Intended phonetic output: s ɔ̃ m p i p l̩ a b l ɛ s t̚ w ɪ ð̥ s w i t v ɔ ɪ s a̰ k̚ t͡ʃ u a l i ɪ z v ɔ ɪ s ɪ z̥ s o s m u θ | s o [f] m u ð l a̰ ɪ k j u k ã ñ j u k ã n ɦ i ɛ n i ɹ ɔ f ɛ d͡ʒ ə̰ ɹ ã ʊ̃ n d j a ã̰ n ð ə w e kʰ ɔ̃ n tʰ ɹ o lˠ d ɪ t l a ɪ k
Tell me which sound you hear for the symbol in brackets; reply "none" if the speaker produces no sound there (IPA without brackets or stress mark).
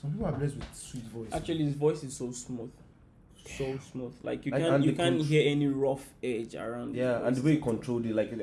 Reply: s